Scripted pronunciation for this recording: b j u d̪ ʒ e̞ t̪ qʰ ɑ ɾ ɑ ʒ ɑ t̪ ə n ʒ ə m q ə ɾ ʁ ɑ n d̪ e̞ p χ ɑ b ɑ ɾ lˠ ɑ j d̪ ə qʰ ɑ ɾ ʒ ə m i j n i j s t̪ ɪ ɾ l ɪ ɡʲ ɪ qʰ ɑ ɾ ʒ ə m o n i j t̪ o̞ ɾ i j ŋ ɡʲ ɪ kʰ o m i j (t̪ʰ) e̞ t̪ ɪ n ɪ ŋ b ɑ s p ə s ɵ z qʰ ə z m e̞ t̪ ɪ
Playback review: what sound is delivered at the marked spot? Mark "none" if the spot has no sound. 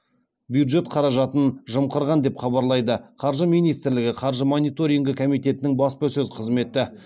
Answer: t̪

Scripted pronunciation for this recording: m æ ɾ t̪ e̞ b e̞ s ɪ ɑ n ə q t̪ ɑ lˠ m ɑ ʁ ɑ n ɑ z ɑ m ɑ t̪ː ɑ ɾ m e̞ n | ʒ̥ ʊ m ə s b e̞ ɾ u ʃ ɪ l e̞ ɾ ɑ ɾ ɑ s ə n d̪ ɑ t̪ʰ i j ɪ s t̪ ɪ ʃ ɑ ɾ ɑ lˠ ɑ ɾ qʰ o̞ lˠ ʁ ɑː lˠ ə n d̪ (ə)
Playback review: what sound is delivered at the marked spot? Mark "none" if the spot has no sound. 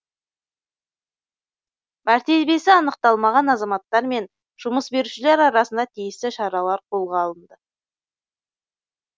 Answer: ə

